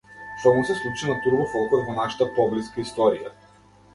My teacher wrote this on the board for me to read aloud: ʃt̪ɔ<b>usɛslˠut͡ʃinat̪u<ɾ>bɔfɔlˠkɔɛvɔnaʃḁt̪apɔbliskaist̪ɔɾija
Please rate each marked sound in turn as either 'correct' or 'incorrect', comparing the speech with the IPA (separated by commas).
incorrect, correct